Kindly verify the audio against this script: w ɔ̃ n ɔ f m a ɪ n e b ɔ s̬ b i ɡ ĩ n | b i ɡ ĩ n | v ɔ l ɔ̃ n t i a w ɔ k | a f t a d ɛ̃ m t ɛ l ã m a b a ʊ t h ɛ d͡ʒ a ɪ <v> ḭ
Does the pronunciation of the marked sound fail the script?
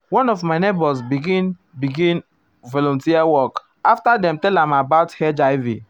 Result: no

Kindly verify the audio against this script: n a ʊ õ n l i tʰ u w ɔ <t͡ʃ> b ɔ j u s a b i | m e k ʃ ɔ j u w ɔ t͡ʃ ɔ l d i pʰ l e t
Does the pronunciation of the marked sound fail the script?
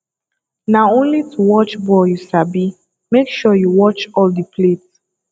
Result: no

